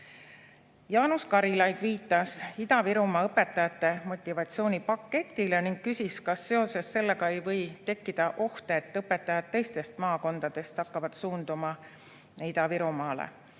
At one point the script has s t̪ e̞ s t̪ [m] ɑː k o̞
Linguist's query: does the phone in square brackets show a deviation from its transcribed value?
no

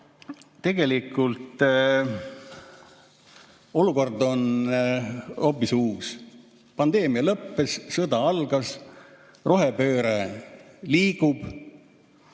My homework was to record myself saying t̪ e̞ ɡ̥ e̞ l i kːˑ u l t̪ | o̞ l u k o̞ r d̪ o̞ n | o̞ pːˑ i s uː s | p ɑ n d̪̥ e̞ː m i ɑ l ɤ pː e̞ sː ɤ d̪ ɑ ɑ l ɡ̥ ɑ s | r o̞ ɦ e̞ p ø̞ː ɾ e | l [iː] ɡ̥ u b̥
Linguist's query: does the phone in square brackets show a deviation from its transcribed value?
no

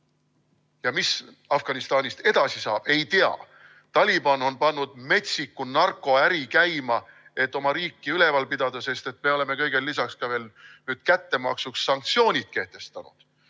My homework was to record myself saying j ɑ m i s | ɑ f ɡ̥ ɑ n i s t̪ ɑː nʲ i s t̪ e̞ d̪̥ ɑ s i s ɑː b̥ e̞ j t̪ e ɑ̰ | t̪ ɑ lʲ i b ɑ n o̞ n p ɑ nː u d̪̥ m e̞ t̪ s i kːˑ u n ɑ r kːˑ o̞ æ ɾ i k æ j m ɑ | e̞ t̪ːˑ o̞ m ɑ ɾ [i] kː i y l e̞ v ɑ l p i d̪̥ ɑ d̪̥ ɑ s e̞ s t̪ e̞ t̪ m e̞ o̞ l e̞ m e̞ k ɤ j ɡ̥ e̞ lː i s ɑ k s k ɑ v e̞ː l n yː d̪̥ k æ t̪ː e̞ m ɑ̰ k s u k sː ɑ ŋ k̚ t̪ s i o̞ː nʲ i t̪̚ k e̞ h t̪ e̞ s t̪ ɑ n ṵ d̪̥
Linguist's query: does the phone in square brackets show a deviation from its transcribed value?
yes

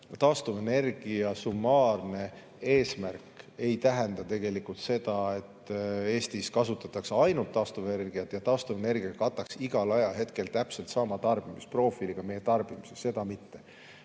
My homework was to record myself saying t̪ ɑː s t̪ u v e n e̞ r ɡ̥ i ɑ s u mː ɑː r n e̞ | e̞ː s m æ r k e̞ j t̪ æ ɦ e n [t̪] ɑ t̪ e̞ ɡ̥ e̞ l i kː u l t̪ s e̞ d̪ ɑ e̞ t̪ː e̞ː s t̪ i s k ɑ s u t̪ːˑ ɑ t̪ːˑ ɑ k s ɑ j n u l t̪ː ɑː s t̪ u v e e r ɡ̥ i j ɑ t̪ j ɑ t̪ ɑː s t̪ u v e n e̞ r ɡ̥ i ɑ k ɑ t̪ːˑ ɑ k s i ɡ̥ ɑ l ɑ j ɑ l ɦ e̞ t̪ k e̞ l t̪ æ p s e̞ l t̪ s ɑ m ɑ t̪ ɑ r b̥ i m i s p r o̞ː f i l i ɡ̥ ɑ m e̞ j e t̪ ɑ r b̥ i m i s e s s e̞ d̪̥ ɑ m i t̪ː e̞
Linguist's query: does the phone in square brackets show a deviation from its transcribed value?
yes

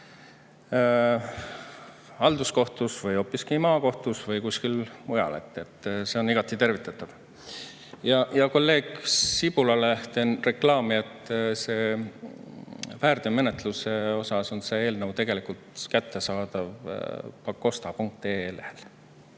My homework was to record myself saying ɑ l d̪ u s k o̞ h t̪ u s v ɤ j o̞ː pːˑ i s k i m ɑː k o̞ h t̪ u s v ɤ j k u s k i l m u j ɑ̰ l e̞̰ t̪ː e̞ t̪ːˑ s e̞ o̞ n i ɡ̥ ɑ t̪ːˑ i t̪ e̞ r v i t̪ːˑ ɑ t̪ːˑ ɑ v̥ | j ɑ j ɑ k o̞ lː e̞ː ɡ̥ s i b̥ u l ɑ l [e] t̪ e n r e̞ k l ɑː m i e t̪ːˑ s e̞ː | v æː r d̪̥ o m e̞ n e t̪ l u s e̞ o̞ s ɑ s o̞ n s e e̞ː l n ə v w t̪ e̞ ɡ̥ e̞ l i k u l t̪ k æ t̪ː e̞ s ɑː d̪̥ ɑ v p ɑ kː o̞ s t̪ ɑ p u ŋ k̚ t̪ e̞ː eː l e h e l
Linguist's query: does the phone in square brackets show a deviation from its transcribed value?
no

